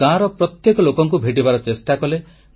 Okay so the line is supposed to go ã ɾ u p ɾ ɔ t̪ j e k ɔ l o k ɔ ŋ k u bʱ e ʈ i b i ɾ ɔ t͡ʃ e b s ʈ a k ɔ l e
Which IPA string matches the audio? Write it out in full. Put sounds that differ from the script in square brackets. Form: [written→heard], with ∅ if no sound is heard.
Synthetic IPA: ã ɾ [u→ɔ] p ɾ ɔ t̪ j e k ɔ l o k ɔ ŋ k u bʱ e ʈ i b [i→a] ɾ ɔ t͡ʃ e [b→∅] s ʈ a k ɔ l e